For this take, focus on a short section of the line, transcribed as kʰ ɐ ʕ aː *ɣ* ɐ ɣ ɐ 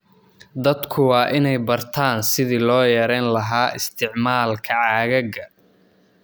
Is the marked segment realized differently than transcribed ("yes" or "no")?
no